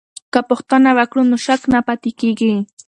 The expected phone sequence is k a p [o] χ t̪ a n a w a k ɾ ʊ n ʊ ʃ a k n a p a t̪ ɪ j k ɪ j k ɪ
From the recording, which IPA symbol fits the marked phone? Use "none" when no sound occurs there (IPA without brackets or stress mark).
o